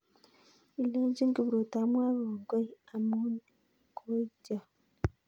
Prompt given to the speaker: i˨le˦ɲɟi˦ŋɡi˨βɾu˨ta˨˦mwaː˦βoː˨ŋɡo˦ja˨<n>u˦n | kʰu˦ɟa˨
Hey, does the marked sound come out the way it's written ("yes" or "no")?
no